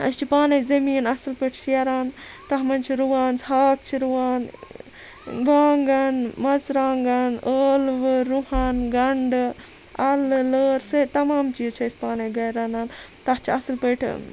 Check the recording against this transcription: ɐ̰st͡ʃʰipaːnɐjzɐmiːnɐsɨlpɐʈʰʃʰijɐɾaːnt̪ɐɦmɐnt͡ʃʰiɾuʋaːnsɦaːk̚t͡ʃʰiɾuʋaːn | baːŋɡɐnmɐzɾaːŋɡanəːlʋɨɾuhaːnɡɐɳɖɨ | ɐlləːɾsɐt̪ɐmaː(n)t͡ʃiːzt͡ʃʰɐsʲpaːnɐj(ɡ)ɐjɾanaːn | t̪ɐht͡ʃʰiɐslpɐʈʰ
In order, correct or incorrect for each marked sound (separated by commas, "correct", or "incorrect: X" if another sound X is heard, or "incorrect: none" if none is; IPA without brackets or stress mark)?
incorrect: m, correct